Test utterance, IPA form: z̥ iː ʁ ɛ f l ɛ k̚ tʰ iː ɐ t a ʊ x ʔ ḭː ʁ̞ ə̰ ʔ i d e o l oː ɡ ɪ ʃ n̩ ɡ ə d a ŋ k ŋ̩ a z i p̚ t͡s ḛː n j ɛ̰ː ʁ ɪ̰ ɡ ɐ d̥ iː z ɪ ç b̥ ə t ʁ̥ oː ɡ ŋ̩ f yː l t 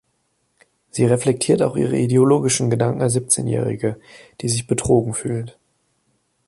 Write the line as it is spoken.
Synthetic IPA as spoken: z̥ iː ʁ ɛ f l ɛ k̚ tʰ iː ɐ t a ʊ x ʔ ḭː ʁ̞ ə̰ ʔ i d e o l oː ɡ ɪ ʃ n̩ ɡ ə d a ŋ k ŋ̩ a z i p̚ t͡s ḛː n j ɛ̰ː ʁ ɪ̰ ɡ ə d̥ iː z ɪ ç b̥ ə t ʁ̥ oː ɡ ŋ̩ f yː l t